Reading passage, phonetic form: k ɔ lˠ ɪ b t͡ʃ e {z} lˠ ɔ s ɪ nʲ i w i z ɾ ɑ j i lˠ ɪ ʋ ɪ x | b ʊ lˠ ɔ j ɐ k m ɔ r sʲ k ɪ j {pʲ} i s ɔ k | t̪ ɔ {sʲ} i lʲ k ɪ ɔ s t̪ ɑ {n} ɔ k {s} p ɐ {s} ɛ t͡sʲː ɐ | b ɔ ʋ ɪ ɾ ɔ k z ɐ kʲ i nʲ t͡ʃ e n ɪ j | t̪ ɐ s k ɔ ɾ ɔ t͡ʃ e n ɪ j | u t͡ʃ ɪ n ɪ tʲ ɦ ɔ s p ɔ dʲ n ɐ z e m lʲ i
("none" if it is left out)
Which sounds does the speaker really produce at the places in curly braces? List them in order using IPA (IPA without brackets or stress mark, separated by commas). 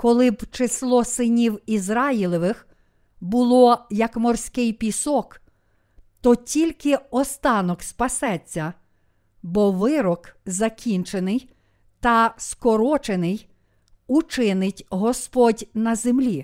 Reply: s, pʲ, tʲ, n, s, s